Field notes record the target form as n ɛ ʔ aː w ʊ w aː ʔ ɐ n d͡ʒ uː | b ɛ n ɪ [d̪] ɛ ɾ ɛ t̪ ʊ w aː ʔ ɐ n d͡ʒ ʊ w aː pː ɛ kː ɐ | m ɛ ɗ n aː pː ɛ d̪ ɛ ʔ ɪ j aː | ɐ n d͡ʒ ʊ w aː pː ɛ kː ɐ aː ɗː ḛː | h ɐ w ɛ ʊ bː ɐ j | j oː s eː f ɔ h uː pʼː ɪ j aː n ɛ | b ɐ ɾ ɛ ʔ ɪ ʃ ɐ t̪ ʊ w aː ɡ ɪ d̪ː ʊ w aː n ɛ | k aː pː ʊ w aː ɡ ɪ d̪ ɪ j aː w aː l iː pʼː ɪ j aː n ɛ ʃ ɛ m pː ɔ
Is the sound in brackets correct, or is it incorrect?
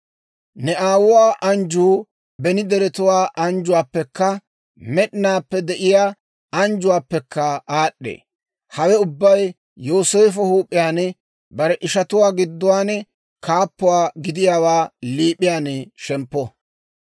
correct